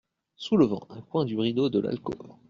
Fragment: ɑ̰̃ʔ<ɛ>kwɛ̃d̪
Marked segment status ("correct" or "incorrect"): incorrect